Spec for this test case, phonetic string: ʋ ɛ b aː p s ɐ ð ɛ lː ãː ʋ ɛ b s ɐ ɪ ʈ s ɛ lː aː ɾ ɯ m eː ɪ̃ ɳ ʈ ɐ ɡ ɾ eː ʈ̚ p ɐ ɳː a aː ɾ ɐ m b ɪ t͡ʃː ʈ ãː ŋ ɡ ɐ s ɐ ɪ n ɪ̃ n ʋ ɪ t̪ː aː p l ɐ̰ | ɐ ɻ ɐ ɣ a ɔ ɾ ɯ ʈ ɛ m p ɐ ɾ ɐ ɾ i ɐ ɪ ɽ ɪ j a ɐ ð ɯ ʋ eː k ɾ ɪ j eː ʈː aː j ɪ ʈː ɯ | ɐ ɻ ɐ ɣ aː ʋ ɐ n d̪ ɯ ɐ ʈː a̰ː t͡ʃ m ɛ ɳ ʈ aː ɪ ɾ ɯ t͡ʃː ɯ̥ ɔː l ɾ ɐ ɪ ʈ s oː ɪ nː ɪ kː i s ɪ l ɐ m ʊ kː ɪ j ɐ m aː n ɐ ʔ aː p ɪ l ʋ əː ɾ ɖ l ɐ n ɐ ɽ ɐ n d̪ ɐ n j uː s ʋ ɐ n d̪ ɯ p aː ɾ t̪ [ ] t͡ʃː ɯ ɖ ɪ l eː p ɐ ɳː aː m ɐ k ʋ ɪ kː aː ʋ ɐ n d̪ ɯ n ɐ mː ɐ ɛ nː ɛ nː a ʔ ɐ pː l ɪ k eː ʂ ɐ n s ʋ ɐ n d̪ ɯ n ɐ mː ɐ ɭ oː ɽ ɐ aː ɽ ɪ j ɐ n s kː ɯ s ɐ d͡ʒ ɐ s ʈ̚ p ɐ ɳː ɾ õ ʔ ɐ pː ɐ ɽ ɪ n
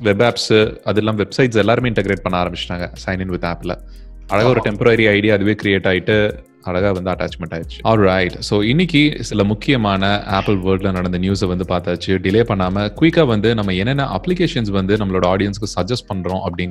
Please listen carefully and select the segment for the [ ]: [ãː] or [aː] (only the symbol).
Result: aː